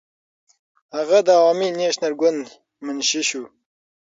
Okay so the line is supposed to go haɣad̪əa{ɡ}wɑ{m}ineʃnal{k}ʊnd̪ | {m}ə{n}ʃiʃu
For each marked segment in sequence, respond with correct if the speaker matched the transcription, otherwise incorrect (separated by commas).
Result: incorrect, correct, incorrect, correct, correct